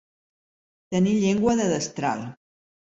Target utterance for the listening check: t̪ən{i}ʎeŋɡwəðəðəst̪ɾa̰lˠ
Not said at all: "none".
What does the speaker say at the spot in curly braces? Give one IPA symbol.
i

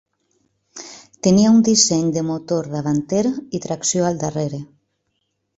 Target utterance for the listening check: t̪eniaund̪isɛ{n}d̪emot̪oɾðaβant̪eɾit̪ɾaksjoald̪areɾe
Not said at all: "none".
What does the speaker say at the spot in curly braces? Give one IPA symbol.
ɲ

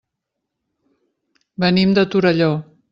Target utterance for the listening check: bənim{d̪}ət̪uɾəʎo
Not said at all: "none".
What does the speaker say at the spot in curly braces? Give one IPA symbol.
d̪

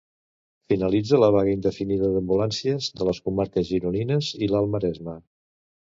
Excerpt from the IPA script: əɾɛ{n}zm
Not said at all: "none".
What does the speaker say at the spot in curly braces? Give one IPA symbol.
none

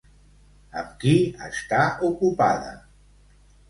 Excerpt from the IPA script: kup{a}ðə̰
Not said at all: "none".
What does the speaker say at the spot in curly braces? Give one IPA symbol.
a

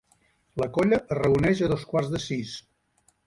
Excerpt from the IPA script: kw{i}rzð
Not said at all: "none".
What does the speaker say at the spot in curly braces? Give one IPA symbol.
a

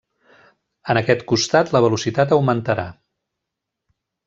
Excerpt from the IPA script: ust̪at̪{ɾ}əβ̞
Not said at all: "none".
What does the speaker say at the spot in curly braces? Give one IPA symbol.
l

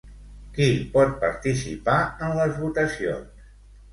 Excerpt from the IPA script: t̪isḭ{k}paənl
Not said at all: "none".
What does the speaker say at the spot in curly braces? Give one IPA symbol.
none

